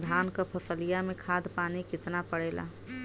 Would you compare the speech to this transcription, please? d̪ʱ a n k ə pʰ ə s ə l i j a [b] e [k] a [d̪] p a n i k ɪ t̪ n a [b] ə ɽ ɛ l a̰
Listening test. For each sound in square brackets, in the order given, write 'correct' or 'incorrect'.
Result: incorrect, incorrect, correct, incorrect

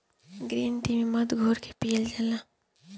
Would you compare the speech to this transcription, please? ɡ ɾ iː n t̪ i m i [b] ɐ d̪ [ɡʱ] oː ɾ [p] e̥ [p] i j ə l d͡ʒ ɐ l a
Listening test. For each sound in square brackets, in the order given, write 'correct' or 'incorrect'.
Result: incorrect, correct, incorrect, correct

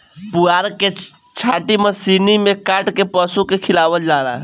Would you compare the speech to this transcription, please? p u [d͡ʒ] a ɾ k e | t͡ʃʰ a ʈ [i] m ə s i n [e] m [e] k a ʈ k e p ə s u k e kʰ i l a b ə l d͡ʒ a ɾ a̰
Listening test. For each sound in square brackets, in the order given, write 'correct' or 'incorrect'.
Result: incorrect, correct, incorrect, correct

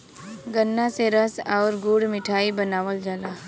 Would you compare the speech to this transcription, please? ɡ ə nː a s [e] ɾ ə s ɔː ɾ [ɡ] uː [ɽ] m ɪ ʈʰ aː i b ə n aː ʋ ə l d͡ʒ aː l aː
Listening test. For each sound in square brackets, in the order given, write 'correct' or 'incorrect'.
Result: correct, correct, correct

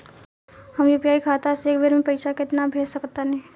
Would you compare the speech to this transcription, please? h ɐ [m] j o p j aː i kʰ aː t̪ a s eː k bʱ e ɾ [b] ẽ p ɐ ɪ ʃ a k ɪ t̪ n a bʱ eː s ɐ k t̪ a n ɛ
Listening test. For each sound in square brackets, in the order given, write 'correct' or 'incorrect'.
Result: correct, incorrect

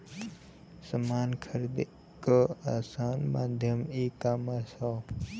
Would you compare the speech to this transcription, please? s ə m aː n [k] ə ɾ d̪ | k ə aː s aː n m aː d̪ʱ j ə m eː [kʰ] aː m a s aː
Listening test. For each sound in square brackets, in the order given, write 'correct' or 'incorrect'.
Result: incorrect, incorrect

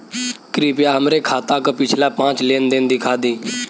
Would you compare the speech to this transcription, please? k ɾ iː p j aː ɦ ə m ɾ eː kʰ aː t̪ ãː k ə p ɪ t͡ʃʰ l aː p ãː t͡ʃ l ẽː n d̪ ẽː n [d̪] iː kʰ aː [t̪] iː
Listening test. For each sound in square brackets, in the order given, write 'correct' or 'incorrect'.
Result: correct, incorrect

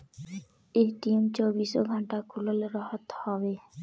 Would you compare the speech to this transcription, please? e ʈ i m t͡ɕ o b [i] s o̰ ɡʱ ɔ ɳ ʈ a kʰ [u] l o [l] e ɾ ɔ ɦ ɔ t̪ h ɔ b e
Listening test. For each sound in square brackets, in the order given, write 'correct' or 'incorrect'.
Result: correct, correct, correct

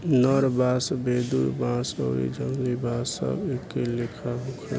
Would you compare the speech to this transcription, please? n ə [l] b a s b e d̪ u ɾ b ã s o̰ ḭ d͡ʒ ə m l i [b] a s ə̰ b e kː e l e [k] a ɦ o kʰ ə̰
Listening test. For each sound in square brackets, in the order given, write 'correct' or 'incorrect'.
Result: incorrect, correct, incorrect

